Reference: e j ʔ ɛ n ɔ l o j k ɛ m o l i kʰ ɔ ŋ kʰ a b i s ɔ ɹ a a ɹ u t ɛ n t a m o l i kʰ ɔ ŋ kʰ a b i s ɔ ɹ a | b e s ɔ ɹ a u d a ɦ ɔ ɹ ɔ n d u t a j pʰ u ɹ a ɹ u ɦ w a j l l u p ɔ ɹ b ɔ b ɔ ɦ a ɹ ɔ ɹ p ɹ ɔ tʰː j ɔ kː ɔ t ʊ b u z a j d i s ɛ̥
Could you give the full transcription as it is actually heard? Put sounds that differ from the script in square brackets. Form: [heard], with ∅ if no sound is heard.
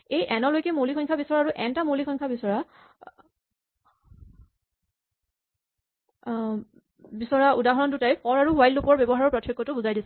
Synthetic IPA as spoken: e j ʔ ɛ n ɔ l o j k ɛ m o l i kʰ ɔ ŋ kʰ a b i s ɔ ɹ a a ɹ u [ʔ] ɛ n t a m o l i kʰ ɔ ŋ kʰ a b i s ɔ ɹ a | b [i] s ɔ ɹ a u d a ɦ ɔ ɹ ɔ n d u t a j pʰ [ɔ] ɹ a ɹ u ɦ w a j l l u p ɔ ɹ b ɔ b ɔ ɦ a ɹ ɔ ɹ p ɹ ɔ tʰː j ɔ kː ɔ t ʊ b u z a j d i s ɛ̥